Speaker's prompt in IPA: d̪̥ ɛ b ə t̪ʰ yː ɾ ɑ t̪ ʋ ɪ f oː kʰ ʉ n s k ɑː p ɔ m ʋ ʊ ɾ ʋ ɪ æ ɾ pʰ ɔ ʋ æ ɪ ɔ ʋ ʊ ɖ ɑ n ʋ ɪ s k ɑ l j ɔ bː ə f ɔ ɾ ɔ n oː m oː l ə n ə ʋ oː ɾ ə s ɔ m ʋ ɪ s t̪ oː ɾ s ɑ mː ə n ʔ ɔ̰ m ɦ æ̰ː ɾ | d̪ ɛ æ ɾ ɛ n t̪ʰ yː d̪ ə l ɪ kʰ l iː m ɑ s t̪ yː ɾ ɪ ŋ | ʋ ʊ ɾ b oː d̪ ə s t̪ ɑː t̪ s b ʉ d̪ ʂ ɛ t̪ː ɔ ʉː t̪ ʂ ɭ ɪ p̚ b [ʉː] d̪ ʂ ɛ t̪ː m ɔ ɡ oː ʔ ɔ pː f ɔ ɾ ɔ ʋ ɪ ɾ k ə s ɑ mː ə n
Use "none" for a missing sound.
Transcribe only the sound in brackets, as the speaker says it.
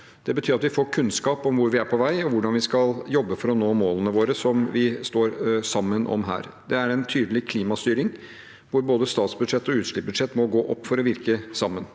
ʉ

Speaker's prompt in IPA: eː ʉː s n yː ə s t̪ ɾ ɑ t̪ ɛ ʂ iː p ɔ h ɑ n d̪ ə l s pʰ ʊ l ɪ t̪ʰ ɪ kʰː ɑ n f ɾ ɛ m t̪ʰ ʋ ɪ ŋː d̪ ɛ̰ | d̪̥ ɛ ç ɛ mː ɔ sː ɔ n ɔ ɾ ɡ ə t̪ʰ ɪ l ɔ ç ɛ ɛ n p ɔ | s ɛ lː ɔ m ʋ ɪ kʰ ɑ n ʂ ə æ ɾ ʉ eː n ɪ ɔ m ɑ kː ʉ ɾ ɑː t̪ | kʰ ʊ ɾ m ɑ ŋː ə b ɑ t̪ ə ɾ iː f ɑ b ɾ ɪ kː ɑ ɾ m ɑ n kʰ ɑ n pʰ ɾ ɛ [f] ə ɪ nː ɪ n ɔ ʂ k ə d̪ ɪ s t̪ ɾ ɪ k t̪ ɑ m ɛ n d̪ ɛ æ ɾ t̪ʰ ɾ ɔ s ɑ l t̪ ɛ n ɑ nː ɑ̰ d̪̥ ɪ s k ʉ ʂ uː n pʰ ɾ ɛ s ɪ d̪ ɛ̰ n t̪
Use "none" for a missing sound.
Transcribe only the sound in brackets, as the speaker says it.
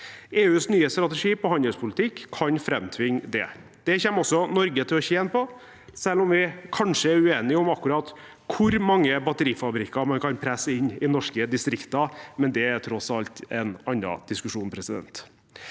s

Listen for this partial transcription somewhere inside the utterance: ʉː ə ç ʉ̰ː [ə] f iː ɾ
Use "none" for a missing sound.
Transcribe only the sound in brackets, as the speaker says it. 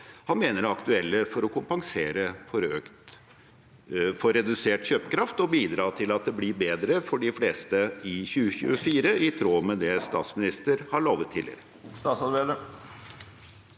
ə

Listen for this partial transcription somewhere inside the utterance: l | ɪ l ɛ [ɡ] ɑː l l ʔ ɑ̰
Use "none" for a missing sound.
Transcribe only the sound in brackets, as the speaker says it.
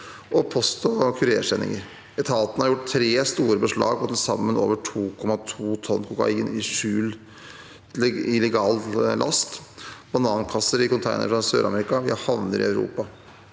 ɡ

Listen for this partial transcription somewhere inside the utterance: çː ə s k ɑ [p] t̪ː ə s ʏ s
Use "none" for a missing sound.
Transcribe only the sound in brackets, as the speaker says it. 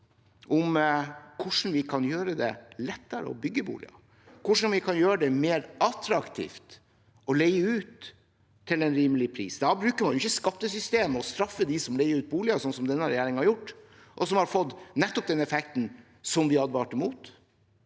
p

